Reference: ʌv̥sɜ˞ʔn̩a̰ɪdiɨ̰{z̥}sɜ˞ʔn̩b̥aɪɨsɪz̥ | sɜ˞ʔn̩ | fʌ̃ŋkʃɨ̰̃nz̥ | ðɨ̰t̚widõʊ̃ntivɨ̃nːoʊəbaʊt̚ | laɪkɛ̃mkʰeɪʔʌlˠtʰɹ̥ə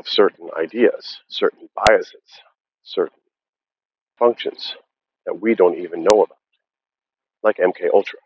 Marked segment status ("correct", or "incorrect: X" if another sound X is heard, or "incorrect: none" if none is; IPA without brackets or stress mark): correct